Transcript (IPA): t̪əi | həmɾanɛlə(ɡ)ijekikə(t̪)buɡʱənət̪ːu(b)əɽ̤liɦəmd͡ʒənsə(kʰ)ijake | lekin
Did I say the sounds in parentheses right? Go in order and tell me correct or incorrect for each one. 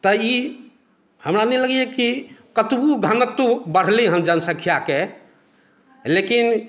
correct, correct, correct, correct

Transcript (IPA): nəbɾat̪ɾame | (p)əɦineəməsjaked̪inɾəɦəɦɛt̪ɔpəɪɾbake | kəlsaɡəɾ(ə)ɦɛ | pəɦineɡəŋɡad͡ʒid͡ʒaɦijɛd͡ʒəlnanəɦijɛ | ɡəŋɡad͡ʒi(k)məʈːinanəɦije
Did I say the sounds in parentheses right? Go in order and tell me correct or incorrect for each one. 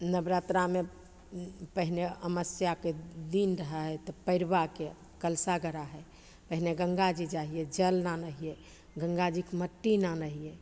correct, incorrect: a, correct

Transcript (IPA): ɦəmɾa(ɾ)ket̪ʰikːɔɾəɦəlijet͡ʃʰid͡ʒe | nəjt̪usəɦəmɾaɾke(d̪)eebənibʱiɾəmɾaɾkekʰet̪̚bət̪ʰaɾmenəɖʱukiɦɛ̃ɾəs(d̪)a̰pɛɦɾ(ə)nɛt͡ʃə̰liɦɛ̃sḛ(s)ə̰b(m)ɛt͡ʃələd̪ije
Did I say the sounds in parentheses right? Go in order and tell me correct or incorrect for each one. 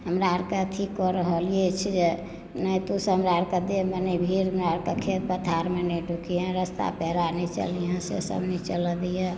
correct, correct, incorrect: t̪, incorrect: a, correct, incorrect: n

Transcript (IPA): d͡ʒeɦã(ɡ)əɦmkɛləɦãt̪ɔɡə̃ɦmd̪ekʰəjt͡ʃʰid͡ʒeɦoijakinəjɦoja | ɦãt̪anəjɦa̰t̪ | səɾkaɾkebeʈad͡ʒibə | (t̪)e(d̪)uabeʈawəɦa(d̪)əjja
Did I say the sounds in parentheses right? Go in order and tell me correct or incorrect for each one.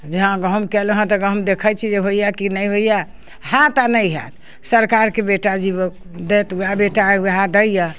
correct, incorrect: d̪, incorrect: t̪, correct

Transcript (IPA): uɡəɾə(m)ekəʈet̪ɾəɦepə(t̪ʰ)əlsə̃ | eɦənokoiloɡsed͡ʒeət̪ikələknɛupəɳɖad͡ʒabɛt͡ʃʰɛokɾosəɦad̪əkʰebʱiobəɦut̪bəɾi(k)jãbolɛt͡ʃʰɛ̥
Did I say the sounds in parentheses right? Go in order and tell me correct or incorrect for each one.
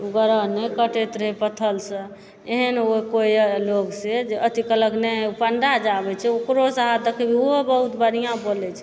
incorrect: n, correct, incorrect: none

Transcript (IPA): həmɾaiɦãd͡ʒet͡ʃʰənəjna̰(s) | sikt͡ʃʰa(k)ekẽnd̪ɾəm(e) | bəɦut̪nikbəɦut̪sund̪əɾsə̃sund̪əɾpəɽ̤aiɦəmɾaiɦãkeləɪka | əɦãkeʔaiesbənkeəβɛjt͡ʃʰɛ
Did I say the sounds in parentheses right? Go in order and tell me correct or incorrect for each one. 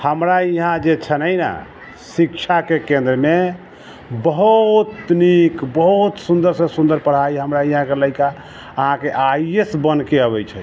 incorrect: none, correct, correct

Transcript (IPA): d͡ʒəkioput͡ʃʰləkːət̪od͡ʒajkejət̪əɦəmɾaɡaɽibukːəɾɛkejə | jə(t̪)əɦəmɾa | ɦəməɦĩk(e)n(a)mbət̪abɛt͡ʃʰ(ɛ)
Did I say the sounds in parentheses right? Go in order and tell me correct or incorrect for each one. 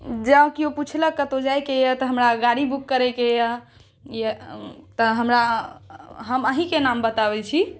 correct, correct, correct, incorrect: i

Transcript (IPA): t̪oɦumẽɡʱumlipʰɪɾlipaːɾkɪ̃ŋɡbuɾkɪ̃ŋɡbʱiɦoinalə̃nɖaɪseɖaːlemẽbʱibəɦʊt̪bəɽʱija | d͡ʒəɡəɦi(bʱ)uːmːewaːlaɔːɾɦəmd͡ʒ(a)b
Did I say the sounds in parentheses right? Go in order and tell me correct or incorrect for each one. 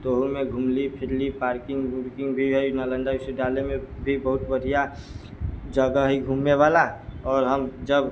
incorrect: ɡʱ, incorrect: ə

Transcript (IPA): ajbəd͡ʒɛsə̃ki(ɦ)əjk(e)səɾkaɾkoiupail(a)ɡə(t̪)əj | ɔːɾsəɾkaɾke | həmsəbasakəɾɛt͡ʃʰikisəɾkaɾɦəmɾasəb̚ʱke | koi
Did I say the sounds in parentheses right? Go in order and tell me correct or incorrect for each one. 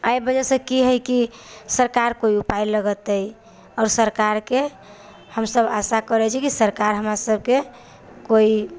correct, incorrect: i, incorrect: ə, correct

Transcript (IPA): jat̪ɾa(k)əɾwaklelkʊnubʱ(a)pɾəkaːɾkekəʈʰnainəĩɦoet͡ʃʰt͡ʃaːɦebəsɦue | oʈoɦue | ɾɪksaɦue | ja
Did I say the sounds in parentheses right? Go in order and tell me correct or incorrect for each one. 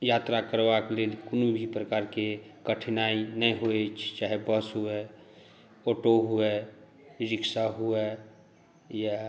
correct, incorrect: i

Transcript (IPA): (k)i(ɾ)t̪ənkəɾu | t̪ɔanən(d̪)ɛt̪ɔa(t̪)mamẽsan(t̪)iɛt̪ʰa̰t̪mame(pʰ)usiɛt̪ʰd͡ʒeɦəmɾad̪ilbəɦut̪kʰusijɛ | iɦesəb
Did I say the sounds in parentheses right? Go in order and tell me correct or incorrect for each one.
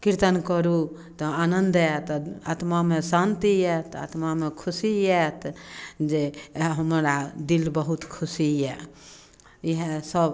correct, correct, correct, correct, correct, incorrect: kʰ

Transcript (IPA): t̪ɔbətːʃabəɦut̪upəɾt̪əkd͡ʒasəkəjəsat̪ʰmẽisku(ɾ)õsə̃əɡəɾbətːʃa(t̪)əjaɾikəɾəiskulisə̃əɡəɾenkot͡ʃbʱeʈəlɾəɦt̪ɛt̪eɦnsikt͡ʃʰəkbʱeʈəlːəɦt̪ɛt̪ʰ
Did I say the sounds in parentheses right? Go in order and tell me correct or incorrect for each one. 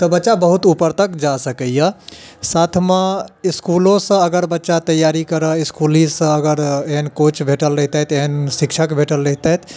incorrect: l, correct

